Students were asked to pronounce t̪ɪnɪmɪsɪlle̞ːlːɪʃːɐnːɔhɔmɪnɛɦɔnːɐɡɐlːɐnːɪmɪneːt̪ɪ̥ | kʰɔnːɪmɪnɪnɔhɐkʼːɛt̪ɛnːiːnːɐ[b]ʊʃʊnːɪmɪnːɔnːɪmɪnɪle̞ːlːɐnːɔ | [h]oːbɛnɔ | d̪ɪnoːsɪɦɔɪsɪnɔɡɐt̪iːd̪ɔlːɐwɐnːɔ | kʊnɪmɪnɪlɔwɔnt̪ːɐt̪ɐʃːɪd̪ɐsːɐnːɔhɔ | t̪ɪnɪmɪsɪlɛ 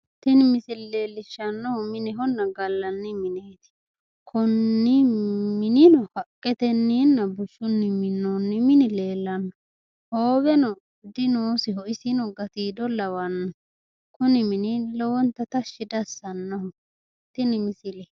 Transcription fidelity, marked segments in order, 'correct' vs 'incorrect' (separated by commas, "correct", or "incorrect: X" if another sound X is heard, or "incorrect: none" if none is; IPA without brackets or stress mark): correct, correct